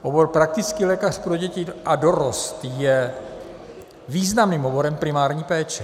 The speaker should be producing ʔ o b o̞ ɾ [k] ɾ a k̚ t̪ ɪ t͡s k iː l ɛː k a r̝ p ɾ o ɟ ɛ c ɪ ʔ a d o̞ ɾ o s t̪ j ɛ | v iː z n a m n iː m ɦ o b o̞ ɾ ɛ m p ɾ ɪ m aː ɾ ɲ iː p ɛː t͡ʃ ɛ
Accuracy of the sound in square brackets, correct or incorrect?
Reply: incorrect